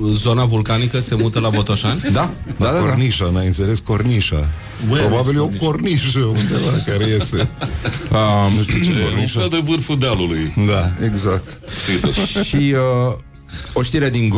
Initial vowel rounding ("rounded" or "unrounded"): rounded